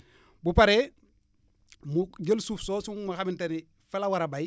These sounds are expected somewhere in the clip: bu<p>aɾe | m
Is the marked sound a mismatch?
no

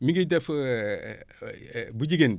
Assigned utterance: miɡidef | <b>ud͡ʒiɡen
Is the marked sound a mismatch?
no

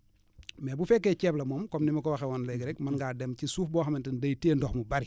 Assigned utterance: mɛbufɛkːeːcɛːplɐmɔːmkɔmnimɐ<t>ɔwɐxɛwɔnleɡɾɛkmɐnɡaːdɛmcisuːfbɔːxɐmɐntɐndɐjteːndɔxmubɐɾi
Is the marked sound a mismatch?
yes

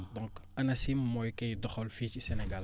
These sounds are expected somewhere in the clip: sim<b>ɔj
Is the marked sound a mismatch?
yes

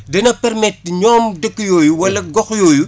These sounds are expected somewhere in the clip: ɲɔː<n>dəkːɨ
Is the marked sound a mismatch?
yes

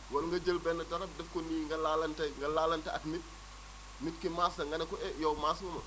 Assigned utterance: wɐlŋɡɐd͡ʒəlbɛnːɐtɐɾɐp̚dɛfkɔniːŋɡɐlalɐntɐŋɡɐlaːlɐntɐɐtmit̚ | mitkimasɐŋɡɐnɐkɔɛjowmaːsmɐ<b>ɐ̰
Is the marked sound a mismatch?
yes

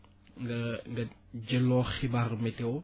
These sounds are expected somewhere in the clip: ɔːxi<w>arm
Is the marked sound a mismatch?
yes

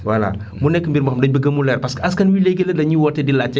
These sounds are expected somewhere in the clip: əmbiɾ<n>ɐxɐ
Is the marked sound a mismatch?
yes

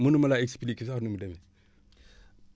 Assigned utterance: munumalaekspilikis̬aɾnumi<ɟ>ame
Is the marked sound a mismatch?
yes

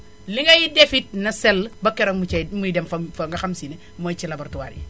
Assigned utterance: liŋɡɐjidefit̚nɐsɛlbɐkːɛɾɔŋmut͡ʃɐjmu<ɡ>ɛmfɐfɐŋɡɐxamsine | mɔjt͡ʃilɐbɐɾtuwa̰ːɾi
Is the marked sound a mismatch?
yes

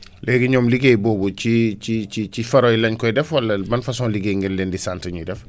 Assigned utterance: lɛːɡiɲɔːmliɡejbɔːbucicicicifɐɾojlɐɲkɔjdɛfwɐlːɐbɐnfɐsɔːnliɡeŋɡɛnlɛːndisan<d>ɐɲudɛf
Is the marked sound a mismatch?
yes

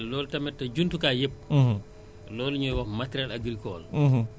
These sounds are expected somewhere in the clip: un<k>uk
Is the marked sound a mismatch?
yes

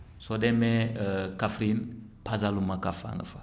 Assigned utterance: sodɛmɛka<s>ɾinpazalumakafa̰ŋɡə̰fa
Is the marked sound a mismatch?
yes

